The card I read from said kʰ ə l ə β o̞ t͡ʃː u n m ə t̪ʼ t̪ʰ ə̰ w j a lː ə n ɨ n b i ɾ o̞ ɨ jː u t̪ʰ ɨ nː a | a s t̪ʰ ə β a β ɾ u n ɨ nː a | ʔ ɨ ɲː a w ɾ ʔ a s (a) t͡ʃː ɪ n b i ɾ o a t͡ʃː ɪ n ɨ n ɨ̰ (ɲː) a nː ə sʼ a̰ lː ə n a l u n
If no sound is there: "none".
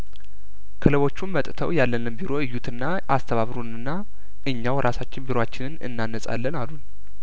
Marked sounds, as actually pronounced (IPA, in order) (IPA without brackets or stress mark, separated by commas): a, nː